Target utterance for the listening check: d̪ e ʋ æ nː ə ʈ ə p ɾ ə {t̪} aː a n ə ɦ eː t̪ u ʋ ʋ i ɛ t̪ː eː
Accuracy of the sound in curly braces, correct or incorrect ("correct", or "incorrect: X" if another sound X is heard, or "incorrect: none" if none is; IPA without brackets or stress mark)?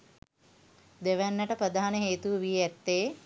incorrect: d̪